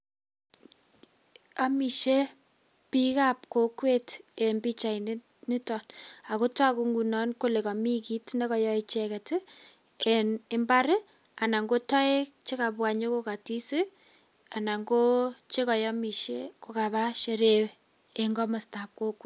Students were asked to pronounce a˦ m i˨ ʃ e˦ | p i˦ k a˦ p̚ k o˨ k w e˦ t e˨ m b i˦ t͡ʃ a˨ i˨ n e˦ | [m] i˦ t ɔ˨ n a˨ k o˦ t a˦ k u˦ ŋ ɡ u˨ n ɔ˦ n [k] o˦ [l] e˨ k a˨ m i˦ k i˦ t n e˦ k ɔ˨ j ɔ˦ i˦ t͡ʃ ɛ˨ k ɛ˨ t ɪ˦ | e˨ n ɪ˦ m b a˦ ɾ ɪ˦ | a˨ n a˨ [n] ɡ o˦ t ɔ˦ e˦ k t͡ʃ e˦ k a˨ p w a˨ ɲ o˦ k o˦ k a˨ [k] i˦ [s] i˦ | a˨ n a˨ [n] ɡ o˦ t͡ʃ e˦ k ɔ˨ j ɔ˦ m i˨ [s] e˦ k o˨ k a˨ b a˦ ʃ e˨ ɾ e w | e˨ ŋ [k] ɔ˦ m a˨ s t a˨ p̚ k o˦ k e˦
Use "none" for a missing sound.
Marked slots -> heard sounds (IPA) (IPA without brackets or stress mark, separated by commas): n, k, l, ŋ, t, s, ŋ, ʃ, ɡ